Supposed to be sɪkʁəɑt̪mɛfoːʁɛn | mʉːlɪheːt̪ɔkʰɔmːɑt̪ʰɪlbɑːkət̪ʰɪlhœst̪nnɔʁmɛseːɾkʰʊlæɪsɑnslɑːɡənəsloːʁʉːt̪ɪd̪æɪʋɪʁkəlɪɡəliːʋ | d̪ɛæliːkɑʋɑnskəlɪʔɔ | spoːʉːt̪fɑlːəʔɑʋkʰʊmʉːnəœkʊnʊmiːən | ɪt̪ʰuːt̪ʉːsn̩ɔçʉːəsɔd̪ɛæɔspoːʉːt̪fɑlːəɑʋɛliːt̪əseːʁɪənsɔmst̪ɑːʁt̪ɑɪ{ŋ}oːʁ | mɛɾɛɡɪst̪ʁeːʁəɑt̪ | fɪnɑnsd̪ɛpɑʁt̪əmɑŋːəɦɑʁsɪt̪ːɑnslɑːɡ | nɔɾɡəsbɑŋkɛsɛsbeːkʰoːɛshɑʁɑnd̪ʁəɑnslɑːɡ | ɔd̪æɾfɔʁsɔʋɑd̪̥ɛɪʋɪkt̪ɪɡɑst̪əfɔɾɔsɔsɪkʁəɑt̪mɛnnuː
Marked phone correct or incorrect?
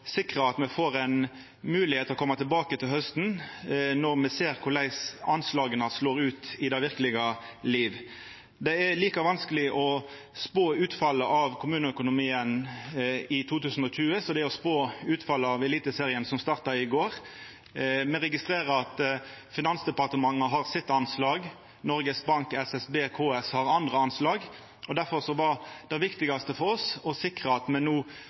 incorrect